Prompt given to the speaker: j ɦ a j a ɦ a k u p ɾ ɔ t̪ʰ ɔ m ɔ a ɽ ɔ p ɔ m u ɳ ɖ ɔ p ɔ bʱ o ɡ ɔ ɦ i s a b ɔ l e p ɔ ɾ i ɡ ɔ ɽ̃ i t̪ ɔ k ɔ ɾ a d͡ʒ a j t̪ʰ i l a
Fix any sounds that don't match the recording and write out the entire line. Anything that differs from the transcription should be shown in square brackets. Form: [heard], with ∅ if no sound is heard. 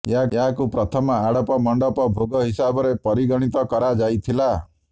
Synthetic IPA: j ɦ a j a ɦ a k u p ɾ ɔ t̪ʰ ɔ m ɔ a ɽ ɔ p ɔ m [ɔ] ɳ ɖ ɔ p ɔ bʱ o ɡ ɔ ɦ i s a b ɔ [ɾ] e p ɔ ɾ i ɡ ɔ ɽ̃ i t̪ ɔ k ɔ ɾ a d͡ʒ a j t̪ʰ i l a